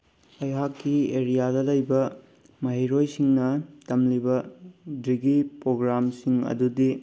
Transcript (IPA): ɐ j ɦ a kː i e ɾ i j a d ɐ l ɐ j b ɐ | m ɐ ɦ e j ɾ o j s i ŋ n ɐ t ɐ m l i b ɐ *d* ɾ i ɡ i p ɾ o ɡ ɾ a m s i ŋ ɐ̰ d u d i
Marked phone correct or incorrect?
correct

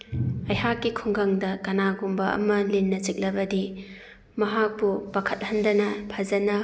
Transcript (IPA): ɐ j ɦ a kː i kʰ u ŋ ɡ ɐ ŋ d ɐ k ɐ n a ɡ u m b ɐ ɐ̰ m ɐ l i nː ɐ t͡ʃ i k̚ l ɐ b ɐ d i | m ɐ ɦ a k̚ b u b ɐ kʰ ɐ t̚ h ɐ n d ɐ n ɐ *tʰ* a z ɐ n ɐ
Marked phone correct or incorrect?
incorrect: pʰ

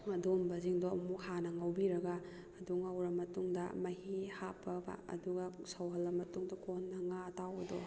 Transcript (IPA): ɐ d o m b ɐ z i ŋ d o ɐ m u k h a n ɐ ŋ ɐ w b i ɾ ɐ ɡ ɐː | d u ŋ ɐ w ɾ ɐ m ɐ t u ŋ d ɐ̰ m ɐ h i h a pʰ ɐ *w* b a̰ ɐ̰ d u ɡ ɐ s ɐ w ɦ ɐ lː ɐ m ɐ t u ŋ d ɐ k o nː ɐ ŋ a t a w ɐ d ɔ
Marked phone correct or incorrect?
incorrect: none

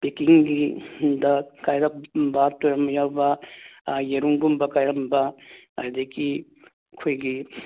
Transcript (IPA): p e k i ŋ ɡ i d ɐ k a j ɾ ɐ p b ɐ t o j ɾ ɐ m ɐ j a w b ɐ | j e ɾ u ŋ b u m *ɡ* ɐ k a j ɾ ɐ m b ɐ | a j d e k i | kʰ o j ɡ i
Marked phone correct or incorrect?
incorrect: b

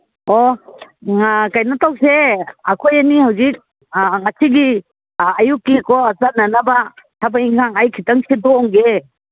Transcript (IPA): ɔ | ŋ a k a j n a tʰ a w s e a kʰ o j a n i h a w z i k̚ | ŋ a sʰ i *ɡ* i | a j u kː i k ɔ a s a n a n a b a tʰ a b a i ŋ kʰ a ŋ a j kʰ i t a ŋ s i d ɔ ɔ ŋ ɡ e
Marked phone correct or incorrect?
correct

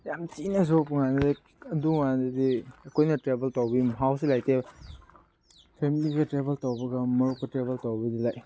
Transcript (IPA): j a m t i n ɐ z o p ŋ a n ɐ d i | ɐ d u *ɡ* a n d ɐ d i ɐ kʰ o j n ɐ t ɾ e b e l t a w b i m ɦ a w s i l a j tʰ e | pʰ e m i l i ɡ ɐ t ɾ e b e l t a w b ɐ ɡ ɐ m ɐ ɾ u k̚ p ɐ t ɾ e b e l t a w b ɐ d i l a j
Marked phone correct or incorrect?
incorrect: ŋ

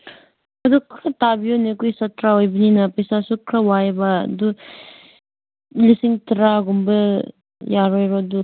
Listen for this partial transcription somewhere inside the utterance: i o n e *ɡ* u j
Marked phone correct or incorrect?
incorrect: k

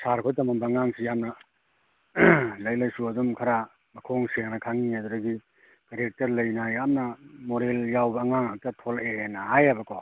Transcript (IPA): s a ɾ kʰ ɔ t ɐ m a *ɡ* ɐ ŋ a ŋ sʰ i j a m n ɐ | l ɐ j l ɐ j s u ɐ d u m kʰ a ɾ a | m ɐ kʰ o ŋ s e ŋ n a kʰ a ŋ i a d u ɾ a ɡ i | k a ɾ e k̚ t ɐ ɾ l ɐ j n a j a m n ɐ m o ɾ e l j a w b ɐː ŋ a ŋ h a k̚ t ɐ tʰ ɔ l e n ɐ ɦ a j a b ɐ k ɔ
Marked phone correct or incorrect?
incorrect: b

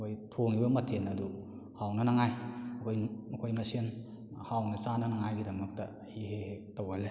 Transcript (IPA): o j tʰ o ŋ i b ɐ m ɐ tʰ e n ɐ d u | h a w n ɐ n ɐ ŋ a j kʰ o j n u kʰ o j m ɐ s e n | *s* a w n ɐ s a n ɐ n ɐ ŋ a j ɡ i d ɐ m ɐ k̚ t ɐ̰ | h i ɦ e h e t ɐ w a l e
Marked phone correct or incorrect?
incorrect: h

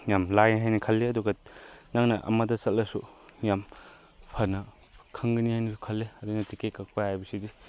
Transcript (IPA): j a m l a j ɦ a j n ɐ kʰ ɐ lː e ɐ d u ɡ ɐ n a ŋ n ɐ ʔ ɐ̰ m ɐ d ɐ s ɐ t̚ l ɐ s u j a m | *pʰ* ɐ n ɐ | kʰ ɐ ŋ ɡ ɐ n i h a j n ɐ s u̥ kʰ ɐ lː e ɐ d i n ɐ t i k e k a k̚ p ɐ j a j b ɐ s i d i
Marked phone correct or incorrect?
correct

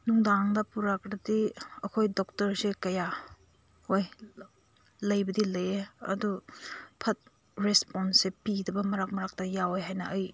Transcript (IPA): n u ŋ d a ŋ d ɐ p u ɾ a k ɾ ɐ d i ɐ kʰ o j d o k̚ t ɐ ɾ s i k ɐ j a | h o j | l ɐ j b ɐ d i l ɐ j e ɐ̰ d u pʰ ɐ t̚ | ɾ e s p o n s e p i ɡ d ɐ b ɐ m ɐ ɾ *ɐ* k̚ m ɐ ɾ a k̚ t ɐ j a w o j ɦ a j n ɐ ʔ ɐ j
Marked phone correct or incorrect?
incorrect: a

